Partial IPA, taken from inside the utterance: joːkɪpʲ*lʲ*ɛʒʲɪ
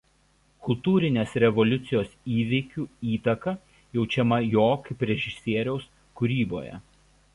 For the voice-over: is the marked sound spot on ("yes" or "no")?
no